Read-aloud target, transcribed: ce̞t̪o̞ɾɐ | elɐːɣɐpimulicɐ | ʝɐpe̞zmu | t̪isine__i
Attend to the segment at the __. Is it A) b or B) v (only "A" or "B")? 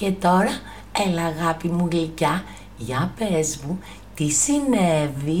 B